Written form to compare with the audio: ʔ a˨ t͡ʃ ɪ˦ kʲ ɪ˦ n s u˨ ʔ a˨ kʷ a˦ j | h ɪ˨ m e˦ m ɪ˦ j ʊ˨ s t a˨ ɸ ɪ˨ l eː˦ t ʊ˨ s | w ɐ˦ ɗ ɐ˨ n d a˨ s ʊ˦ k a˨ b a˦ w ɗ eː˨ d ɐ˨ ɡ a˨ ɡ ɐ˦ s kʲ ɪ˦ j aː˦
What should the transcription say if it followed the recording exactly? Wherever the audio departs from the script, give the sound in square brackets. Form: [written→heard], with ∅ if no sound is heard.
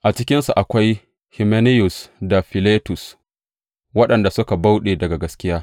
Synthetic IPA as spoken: ʔ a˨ t͡ʃ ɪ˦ kʲ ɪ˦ n s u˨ ʔ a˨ kʷ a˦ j | h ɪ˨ m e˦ [m→n] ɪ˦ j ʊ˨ s [t→d] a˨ ɸ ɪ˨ l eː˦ t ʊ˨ s | w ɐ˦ ɗ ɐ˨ n d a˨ s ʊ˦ k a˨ b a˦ w ɗ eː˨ d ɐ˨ ɡ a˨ ɡ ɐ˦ s kʲ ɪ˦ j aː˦